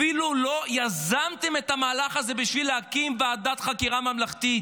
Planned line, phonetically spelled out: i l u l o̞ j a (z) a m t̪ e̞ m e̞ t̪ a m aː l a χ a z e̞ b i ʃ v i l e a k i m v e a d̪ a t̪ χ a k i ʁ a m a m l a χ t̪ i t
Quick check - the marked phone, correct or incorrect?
correct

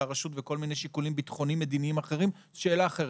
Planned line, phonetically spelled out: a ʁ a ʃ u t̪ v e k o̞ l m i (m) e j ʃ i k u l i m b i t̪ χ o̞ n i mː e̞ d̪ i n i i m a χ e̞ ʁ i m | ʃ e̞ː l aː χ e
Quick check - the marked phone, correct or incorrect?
incorrect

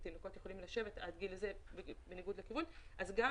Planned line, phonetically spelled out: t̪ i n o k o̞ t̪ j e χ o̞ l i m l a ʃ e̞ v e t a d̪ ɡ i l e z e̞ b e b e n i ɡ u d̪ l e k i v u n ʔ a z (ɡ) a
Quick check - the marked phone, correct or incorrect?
correct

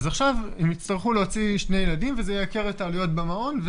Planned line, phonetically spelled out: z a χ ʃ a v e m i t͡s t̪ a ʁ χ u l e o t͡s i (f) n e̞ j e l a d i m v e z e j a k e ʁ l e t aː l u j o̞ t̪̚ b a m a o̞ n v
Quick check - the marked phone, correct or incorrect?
incorrect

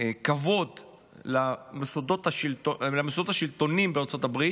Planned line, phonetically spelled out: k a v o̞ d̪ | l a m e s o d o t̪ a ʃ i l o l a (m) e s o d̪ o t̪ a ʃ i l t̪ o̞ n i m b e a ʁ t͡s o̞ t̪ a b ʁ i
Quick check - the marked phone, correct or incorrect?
correct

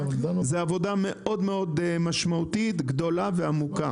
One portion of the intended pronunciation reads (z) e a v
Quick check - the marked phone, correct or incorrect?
correct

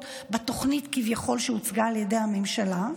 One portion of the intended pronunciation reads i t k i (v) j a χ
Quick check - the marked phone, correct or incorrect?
correct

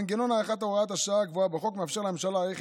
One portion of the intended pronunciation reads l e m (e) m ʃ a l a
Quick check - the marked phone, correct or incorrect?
correct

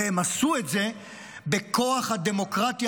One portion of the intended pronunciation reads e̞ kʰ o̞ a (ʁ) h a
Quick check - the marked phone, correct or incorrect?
incorrect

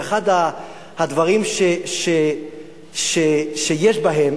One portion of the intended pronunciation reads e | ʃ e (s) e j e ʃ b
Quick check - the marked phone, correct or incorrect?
incorrect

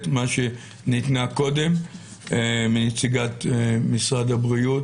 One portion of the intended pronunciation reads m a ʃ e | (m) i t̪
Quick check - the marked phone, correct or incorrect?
incorrect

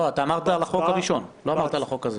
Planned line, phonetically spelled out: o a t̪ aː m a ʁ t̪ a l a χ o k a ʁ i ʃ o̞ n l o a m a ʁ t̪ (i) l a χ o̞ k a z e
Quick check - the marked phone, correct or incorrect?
incorrect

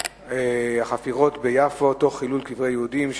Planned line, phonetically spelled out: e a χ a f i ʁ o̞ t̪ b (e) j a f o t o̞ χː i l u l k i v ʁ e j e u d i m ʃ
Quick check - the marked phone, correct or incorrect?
correct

